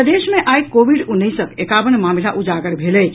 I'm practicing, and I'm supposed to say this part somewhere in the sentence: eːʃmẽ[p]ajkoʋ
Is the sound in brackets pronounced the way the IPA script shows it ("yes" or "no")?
no